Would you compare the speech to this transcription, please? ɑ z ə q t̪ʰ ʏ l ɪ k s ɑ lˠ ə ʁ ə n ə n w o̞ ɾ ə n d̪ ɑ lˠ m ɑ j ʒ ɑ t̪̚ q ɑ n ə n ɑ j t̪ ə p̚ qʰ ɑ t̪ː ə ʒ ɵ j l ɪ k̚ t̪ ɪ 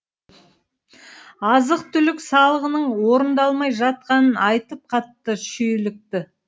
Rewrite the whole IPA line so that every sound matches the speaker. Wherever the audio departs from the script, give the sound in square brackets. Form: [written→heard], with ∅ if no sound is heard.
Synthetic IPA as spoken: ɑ z ə q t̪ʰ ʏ l ɪ k s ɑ lˠ ə ʁ ə n ə [n→ɴ] w o̞ ɾ ə n d̪ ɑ lˠ m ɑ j ʒ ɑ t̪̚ q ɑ n ə n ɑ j t̪ ə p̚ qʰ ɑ t̪ː ə [ʒ→ʃ] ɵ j l ɪ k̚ t̪ ɪ